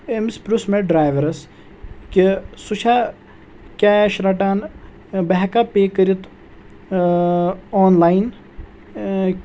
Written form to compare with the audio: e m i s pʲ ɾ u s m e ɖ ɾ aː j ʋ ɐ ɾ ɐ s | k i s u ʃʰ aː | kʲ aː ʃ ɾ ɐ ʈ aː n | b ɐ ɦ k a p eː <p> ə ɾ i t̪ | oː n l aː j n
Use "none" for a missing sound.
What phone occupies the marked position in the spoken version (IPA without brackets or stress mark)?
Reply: k